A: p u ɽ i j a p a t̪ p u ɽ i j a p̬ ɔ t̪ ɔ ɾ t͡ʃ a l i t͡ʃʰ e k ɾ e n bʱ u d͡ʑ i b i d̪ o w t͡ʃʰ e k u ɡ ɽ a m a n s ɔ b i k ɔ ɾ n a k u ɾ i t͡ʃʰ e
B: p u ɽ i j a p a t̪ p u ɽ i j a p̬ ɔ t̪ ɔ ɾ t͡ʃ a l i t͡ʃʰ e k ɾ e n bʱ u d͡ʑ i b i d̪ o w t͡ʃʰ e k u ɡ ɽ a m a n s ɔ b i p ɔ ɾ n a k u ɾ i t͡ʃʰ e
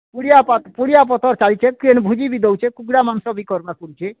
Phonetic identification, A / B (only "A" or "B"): A